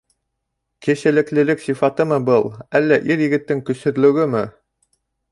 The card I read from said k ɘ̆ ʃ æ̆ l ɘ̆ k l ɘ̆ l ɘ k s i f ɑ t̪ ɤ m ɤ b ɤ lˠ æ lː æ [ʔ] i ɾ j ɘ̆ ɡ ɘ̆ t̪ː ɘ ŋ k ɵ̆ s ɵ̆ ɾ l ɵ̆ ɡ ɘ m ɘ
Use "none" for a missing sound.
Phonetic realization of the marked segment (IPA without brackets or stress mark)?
ʔ